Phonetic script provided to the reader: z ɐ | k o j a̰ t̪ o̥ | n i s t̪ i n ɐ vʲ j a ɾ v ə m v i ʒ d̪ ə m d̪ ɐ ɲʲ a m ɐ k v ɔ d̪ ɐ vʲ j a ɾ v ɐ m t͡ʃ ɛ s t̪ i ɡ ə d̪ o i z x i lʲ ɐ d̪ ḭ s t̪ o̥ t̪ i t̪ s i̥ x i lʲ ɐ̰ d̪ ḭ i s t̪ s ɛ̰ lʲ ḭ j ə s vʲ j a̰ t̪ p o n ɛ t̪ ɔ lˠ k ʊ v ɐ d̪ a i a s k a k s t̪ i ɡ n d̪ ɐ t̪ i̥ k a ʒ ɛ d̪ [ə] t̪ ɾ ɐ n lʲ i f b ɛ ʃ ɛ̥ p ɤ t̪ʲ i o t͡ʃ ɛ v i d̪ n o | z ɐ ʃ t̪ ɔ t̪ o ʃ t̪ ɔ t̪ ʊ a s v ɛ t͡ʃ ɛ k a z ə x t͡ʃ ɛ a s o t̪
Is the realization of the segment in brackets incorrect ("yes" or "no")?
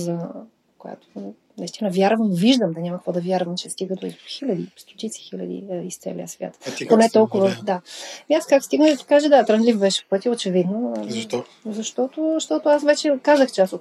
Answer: yes